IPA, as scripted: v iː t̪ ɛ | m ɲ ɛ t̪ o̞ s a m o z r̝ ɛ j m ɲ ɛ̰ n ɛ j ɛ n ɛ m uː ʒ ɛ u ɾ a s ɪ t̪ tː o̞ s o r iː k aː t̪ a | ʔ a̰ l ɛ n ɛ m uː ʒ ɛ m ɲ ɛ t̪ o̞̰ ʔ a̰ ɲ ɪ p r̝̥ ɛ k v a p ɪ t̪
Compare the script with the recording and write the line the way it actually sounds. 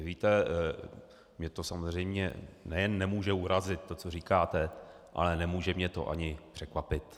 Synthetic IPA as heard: v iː t̪ ɛ | m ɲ ɛ t̪ o̞ s a m o z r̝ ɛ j m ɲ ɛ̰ n ɛ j ɛ nː ɛ m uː ʒ ɛ u ɾ a z ɪ t̪ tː o̞ t͡s o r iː k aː t̪ ɛ | ʔ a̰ l ɛ n ɛ m uː ʒ ɛ m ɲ ɛ t̪ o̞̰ ʔ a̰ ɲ ɪ p r̝̥ ɛ k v a p ɪ t̪